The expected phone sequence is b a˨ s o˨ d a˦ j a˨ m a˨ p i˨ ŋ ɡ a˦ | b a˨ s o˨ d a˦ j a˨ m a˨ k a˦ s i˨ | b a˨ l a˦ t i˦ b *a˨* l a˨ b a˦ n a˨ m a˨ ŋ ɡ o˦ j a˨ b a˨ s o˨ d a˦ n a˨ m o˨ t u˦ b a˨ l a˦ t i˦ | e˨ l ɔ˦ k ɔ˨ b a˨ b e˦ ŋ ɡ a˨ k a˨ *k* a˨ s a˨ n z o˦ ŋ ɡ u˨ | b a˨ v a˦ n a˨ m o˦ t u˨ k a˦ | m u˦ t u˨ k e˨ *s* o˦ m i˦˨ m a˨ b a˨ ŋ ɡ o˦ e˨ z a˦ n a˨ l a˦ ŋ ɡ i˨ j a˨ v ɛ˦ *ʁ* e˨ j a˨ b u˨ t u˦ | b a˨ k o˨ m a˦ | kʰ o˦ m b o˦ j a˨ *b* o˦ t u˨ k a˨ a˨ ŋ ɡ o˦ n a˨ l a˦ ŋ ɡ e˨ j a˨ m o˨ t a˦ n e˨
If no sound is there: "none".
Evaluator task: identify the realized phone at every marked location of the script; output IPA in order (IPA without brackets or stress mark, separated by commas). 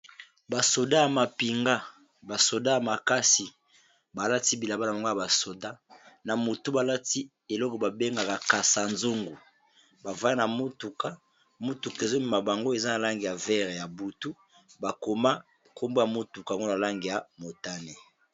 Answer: i˨, k, z, ʁ, m